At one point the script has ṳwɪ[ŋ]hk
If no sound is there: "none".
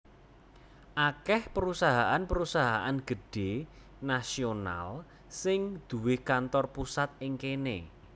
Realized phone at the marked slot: none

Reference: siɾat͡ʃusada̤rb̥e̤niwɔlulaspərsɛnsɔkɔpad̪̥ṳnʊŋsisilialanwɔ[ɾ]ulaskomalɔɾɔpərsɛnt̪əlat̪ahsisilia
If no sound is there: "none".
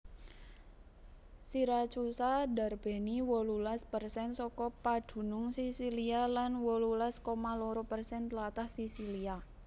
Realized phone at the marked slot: l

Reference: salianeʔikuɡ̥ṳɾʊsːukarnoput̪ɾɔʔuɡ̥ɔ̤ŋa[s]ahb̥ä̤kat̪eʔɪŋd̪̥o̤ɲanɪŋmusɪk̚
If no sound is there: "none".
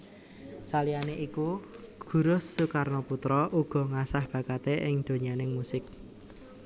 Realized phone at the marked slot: s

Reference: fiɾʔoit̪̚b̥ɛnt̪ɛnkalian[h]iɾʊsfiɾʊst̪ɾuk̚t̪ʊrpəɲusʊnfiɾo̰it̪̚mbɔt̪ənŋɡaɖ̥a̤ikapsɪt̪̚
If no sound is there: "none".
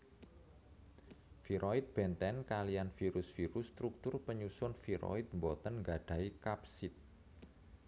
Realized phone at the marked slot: f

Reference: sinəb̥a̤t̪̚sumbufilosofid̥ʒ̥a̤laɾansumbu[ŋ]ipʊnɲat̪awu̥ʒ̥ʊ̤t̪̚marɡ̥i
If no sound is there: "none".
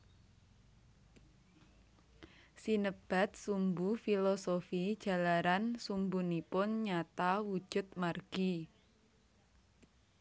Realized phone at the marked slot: n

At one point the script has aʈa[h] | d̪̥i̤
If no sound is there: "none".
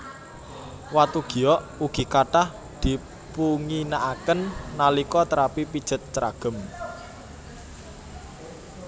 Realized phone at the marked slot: h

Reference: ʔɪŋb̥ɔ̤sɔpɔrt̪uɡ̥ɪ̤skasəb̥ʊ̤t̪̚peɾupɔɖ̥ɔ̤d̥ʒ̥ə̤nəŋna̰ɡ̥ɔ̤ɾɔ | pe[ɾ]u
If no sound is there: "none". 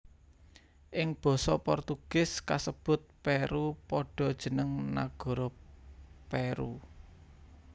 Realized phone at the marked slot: ɾ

